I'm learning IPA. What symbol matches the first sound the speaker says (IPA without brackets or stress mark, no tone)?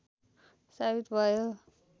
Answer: s